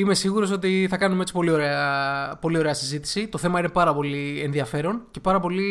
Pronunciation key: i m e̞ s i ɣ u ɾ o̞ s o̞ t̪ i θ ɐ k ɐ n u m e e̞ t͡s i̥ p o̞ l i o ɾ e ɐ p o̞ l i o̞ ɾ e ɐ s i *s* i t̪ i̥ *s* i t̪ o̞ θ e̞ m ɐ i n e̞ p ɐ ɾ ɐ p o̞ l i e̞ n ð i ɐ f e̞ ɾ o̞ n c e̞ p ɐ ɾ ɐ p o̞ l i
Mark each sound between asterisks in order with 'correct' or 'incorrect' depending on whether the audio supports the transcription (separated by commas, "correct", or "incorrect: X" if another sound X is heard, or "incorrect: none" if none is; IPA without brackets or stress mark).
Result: incorrect: z, correct